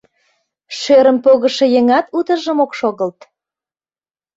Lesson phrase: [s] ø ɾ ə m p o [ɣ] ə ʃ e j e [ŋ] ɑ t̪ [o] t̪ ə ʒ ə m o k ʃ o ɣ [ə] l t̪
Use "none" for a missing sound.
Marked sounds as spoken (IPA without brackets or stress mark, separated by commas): ʃ, ɣ, ŋ, u, ə